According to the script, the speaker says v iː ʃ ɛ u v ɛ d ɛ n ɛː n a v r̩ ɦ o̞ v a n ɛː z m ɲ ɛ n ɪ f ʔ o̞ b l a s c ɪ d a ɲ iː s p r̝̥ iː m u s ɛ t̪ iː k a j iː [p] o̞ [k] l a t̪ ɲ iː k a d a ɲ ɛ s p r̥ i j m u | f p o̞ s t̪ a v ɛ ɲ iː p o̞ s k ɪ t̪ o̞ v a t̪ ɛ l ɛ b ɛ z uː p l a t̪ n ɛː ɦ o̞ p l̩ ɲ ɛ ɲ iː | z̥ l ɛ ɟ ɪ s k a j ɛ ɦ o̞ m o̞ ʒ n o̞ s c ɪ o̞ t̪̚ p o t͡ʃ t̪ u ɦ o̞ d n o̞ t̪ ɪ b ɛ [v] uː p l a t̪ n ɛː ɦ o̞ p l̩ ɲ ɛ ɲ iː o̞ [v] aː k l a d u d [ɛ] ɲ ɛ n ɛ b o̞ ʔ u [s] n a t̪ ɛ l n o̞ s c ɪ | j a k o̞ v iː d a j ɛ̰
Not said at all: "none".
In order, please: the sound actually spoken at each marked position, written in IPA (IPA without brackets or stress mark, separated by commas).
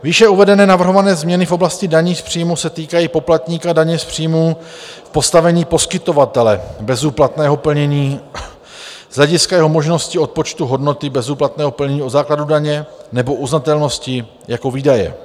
p, p, z, z, a, z